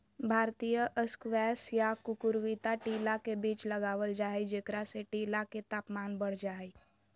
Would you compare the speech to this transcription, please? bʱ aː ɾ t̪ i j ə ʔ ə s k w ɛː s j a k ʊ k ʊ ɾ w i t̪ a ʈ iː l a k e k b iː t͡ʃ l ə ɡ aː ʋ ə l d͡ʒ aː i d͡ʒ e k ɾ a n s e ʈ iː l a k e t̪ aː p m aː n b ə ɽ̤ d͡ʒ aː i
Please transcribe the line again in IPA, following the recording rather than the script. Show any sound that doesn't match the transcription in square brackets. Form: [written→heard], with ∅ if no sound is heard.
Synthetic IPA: bʱ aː ɾ t̪ i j ə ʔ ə s k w ɛː s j a k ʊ k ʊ ɾ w i t̪ a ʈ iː l a k e [k→∅] b iː t͡ʃ l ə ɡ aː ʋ ə l d͡ʒ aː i d͡ʒ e k ɾ a [n→∅] s e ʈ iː l a k e t̪ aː p m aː n b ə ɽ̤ d͡ʒ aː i